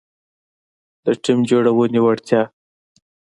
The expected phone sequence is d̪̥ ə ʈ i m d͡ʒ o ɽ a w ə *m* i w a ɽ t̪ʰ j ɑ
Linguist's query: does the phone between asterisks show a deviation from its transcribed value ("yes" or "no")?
yes